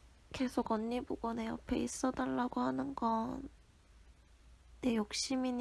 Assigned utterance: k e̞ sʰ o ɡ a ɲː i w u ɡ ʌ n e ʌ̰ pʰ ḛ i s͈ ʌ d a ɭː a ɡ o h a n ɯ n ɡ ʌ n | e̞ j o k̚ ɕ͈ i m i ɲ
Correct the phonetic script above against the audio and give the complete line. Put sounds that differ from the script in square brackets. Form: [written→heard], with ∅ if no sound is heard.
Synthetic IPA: k e̞ sʰ o ɡ [a→ʌ] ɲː i [w→b] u ɡ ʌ n e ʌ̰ pʰ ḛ i s͈ ʌ d a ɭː a ɡ o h a n ɯ n ɡ ʌ n | e̞ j o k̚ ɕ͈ i m i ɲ